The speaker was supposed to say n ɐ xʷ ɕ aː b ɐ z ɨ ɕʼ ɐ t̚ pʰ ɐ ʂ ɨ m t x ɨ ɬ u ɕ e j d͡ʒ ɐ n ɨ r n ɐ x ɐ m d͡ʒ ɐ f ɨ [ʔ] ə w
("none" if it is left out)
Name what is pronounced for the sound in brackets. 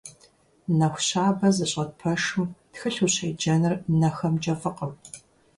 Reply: q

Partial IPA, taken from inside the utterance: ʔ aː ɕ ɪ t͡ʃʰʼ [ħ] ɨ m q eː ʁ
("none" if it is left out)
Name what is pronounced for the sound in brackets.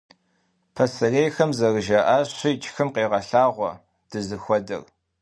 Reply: x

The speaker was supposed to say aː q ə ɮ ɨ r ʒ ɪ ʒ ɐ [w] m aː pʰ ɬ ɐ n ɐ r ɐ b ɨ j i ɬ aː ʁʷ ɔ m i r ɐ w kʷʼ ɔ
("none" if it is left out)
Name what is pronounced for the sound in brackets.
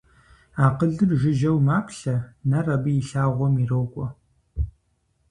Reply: w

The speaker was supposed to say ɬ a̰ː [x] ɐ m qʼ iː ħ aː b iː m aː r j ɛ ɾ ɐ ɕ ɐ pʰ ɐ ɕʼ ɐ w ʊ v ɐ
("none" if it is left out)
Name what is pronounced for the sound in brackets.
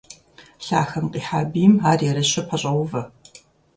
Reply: x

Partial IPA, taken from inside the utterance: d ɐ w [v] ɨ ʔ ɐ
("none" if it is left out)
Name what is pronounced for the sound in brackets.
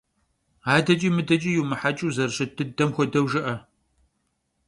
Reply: ʒ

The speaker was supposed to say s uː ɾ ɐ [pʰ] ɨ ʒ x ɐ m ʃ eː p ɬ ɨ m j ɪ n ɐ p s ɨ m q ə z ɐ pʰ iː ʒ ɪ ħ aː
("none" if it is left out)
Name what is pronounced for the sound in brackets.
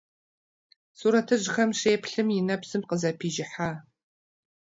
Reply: tʰ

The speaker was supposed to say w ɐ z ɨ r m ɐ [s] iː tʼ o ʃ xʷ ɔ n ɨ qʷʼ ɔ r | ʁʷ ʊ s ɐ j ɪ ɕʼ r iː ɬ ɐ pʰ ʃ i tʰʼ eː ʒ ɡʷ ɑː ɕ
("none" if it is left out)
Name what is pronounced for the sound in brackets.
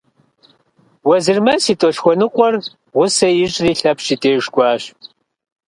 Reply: s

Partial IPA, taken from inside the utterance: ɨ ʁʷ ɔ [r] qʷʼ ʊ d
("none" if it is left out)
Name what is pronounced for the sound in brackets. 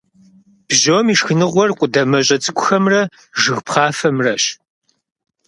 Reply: r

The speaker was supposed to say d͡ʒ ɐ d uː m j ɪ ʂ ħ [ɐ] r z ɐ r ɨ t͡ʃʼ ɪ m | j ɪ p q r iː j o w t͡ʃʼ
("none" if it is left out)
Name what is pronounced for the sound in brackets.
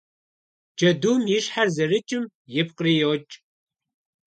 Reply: a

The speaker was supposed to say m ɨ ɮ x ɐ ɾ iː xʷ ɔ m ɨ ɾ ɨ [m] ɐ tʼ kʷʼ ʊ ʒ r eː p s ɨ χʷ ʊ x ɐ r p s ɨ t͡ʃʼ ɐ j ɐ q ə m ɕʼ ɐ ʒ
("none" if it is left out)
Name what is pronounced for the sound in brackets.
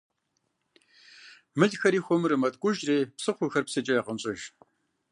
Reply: m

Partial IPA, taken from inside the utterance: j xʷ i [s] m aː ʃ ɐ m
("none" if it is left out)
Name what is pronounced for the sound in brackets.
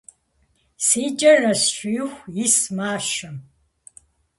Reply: s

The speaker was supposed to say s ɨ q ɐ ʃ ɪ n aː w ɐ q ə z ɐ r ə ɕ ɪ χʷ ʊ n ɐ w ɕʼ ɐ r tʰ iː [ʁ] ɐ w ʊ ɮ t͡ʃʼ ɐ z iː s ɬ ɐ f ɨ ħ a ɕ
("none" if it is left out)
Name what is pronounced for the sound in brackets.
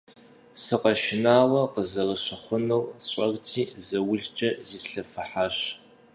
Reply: z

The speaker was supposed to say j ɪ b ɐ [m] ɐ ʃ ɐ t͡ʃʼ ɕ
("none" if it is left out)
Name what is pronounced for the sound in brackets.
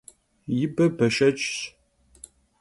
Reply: b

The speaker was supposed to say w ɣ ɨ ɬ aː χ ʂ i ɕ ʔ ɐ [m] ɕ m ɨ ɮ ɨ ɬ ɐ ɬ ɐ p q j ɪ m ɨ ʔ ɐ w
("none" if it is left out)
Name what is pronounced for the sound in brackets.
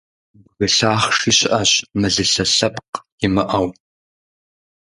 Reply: none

